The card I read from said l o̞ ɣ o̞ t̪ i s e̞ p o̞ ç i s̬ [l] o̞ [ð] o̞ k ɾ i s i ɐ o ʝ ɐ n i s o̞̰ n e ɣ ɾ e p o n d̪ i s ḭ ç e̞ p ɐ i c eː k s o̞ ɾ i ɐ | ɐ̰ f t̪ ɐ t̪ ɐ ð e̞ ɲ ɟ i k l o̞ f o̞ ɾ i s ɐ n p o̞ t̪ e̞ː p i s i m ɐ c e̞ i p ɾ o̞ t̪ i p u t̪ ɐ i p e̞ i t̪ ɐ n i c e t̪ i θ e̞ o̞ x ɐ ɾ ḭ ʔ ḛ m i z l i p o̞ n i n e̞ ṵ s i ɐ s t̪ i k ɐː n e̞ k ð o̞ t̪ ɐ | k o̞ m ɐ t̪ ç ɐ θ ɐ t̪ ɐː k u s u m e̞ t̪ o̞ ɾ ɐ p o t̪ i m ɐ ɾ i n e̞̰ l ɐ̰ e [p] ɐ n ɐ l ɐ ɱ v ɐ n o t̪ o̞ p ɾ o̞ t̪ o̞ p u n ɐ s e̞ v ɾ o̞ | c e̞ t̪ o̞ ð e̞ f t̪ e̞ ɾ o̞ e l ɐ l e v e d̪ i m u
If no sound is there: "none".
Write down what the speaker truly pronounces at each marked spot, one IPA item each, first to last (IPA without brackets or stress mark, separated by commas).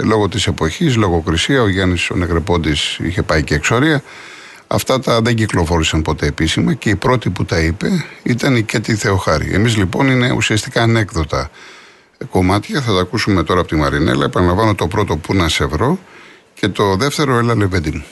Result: l, ɣ, p